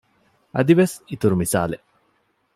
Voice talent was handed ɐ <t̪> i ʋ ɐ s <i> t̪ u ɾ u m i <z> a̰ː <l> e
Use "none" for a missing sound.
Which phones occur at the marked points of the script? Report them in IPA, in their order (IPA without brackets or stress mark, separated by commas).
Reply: d̪, i, s, l